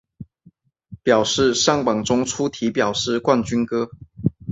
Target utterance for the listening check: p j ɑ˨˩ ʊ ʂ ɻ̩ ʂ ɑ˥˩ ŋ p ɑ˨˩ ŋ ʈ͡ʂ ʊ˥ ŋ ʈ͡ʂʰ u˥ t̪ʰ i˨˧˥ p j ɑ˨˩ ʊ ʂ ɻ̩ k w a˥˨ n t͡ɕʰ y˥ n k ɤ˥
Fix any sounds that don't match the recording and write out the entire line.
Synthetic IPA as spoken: p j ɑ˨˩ ʊ ʂ ɻ̩ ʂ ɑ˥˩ ŋ p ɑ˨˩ ŋ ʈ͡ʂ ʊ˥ ŋ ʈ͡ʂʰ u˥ t̪ʰ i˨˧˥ p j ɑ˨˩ ʊ ʂ ɻ̩ k w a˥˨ n t͡ɕ y˥ n k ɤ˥